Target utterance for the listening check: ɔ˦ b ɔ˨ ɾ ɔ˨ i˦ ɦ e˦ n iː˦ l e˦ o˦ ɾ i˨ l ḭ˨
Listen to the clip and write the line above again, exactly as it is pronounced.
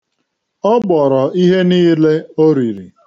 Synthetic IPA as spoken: ɔ˦ b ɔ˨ ɾ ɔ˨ i˦ ɦ e˦ n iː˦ l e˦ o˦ ɾ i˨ ɾ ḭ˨